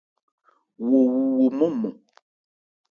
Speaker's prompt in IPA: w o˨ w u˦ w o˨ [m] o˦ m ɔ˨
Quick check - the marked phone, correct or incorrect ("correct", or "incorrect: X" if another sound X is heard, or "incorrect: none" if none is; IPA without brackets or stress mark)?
correct